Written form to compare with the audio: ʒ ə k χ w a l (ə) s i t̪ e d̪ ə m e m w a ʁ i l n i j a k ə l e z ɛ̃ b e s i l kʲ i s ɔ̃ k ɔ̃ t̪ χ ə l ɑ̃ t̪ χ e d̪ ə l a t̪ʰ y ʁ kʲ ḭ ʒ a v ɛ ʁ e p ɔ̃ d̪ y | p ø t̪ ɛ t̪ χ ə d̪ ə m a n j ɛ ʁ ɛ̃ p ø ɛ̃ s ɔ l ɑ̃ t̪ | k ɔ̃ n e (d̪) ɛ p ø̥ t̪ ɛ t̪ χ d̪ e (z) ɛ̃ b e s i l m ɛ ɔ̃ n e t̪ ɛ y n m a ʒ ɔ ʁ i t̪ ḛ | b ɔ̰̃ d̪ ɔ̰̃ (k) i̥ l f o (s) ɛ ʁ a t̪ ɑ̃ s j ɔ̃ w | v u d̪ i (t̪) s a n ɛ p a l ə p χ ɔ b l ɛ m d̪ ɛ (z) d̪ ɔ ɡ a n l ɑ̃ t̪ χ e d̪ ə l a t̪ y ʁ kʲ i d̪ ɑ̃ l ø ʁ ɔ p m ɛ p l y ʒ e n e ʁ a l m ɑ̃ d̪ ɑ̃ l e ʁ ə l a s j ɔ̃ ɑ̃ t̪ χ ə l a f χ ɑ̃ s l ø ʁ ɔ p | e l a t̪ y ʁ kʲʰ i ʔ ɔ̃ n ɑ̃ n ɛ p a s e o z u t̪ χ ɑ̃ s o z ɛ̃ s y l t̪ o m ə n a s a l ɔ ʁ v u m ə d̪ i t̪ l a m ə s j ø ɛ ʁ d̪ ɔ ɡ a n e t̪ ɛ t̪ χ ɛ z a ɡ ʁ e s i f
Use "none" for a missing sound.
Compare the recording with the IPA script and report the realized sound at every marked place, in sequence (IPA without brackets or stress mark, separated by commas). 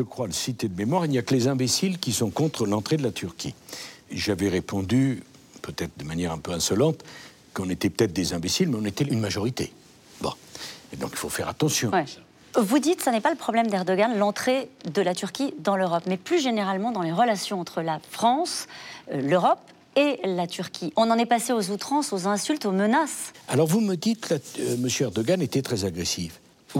ə, t̪, z, k, f, t̪, ʁ